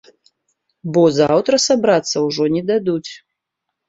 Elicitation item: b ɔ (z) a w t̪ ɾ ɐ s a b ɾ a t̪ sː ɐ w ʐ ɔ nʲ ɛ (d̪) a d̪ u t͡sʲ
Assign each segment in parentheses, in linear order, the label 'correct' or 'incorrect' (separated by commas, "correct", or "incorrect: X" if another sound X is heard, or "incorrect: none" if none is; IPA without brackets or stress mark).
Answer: correct, correct